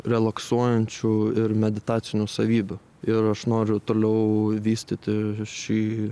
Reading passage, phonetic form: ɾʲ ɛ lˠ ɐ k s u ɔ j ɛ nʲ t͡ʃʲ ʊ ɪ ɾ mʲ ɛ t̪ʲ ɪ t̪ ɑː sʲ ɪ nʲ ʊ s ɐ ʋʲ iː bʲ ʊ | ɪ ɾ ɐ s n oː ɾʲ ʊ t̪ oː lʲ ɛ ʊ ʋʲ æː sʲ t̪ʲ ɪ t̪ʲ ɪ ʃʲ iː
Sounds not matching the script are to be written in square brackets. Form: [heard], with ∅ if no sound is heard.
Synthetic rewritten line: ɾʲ ɛ lˠ ɐ k s u ɔ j ɛ nʲ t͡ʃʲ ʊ ɪ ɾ mʲ ɛ [d̪ʲ] ɪ t̪ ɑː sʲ ɪ nʲ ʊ s ɐ ʋʲ iː bʲ ʊ | ɪ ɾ ɐ [ʃ] n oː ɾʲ ʊ t̪ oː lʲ ɛ ʊ ʋʲ [iː] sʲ t̪ʲ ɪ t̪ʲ ɪ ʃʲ iː